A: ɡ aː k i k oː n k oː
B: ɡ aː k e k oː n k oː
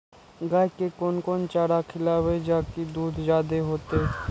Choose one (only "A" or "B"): B